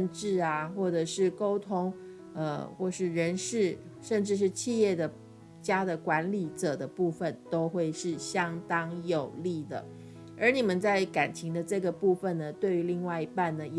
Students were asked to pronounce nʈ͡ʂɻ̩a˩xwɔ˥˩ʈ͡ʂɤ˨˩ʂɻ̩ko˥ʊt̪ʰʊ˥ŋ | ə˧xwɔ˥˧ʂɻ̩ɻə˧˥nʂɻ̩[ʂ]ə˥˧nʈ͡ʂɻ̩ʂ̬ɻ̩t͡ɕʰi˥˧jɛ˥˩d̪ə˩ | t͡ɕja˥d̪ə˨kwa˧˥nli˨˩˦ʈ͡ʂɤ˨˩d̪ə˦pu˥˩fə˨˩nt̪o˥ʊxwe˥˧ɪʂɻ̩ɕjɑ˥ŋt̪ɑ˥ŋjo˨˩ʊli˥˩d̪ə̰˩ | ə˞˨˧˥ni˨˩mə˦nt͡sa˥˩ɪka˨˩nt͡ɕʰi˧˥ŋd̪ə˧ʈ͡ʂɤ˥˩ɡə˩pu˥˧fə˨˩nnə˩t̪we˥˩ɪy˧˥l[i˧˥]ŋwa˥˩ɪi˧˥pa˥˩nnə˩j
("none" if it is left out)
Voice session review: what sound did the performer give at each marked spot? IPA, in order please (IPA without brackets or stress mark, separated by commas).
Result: ʂ, i˥˧